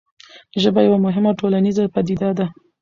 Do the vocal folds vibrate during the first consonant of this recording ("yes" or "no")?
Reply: yes